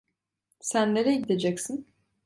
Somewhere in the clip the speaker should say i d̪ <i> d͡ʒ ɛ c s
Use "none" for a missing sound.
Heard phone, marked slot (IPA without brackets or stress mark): e